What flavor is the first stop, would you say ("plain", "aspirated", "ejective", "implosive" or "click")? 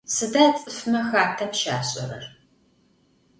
plain